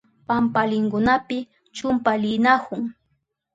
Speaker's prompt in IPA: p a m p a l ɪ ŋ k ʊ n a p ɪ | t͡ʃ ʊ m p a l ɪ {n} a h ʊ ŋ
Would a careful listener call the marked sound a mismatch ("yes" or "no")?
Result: no